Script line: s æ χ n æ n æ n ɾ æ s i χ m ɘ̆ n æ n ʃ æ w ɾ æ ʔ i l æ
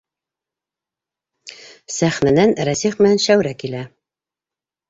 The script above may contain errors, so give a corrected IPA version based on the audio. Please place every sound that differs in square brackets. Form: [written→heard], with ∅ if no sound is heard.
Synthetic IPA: s æ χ n æ n æ n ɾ æ s i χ m ɘ̆ n æ n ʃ æ w ɾ æ [ʔ→k] i l æ